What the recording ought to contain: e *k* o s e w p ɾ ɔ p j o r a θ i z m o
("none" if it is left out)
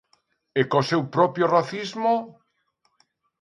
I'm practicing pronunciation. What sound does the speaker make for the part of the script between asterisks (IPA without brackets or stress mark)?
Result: k